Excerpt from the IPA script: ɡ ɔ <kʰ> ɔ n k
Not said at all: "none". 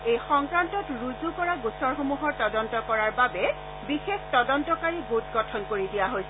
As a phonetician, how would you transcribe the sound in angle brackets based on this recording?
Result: tʰ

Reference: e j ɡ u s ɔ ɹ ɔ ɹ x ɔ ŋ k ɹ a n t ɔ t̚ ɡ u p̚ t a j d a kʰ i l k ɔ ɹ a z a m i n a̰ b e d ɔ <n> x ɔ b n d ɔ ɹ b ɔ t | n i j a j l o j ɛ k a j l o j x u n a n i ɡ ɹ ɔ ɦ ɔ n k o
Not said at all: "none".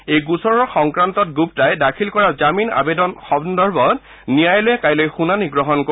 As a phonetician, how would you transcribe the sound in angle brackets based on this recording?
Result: n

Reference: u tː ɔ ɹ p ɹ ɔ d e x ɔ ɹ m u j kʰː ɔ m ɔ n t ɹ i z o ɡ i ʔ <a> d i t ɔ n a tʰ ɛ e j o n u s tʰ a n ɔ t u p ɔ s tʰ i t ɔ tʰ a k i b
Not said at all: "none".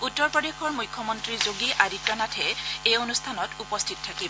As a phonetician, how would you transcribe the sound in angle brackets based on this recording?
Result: a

